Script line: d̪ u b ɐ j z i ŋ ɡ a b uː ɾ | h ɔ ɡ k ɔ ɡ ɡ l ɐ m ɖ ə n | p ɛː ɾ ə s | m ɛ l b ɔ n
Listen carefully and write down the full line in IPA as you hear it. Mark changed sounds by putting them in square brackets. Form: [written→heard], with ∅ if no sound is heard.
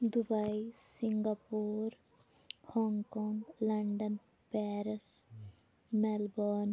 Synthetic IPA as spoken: d̪ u b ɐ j [z→s] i ŋ ɡ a [b→p] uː ɾ | h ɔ [ɡ→ŋ] k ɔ [ɡ→ŋ] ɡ l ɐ [m→ɳ] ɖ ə n | p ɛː ɾ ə s | m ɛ l b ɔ n